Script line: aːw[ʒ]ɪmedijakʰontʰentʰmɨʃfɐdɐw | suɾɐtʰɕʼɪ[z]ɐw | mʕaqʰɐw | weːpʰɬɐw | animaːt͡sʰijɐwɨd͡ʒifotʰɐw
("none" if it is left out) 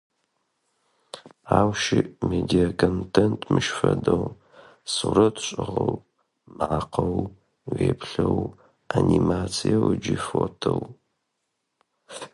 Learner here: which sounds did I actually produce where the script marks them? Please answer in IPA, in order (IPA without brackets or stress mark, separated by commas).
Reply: ʃ, ʁ